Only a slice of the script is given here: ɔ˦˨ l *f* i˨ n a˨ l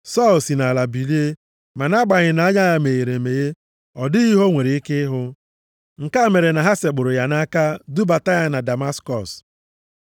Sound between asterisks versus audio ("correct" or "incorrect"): incorrect